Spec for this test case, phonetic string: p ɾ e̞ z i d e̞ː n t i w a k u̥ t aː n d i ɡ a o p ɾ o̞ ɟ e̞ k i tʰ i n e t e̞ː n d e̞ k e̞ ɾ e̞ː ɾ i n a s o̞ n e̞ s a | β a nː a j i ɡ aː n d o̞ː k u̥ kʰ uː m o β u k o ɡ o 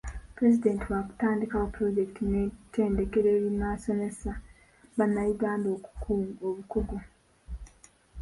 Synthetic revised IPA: p ɾ e̞ z i d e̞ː n t i w a k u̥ t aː n d i k a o p ɾ o̞ ɟ e̞ k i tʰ i n e t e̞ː n d e̞ k e̞ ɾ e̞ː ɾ i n a s o̞ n e̞ s a | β a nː a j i ɡ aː n d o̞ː k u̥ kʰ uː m o β u k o ɡ o